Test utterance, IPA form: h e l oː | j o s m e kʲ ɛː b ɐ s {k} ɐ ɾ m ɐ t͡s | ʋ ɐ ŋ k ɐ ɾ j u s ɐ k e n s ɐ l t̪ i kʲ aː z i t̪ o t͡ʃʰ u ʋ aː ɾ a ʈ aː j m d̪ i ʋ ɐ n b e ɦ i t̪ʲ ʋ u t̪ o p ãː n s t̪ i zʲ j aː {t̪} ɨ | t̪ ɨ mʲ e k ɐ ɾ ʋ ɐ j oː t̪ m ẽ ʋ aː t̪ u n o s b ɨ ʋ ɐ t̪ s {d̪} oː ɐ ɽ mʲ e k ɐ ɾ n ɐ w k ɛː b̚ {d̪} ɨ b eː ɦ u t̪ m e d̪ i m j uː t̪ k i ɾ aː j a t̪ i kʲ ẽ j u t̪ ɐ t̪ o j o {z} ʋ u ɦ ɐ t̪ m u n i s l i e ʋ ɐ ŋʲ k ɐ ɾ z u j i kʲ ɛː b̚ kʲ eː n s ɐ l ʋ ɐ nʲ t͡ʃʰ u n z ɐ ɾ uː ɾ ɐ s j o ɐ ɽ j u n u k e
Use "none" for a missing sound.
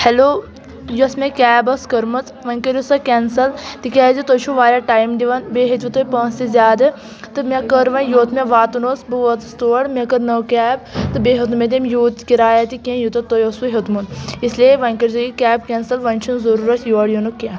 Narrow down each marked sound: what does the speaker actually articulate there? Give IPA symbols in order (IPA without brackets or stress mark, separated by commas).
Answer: k, d̪, t̪, t̪, s